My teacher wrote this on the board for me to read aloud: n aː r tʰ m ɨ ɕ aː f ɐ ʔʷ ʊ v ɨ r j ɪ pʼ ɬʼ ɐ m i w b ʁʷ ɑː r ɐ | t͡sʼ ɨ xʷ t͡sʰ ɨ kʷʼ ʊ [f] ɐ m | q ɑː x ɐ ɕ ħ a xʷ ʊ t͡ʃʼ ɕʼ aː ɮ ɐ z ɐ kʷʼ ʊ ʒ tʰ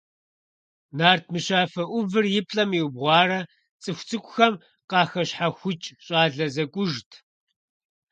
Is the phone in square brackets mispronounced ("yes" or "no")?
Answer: yes